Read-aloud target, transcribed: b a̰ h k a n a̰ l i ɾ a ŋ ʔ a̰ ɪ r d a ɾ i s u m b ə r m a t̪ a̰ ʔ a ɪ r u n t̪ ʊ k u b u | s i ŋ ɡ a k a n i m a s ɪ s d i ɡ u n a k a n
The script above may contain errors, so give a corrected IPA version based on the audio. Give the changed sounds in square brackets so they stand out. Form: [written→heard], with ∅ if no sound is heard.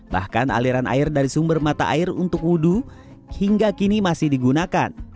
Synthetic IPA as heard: b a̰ h k a n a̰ l i ɾ a [ŋ→n] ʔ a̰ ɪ r d a ɾ i s u m b ə r m a t̪ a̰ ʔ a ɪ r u n t̪ ʊ k u [b→d] u | [s→h] i ŋ ɡ a k [a→i] n i m a s ɪ [s→h] d i ɡ u n a k a n